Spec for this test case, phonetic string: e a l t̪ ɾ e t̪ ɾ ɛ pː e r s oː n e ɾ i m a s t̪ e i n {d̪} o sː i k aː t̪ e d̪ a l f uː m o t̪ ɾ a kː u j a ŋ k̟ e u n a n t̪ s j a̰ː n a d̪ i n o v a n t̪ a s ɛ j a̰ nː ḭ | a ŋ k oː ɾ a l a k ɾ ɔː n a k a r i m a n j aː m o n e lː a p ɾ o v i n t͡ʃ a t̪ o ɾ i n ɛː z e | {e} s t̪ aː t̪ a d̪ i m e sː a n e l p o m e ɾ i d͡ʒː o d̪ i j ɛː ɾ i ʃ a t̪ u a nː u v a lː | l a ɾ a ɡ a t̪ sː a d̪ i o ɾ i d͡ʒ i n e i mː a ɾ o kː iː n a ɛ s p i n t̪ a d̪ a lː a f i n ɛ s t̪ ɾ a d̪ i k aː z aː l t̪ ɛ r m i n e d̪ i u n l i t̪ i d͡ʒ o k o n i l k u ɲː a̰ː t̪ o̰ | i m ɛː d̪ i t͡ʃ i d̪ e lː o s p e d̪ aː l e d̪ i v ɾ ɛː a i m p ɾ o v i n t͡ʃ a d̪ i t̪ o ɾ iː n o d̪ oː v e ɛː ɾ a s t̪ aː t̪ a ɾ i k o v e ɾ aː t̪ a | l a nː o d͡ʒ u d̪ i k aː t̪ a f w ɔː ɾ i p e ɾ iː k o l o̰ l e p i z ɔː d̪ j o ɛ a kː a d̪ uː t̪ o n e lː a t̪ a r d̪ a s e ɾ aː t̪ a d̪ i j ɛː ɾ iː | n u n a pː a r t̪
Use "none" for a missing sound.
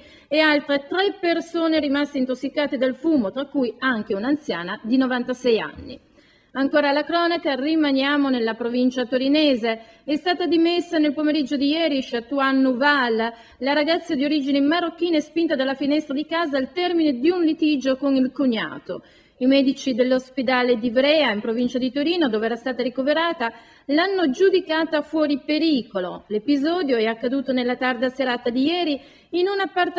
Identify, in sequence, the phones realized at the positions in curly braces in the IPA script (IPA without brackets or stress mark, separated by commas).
t̪, ɛ